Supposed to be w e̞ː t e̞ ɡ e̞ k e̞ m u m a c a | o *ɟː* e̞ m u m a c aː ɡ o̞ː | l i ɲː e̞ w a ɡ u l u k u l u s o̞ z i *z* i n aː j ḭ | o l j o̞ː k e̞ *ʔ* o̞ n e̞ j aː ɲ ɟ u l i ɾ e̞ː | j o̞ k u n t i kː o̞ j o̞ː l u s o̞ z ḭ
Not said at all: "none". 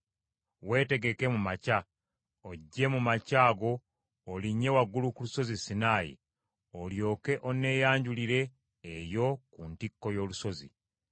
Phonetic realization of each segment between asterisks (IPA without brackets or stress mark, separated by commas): ɟː, s, ʔ